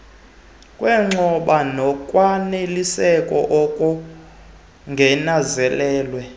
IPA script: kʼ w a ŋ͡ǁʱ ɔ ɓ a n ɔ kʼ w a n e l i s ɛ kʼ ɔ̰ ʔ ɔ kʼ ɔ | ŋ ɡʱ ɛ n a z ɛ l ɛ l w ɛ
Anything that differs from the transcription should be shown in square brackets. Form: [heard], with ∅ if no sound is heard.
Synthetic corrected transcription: kʼ w [ɛ] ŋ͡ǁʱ ɔ ɓ a n ɔ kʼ w a n e l i s ɛ kʼ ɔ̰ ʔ ɔ kʼ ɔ | ŋ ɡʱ ɛ n a z ɛ l [ɛː] l w ɛ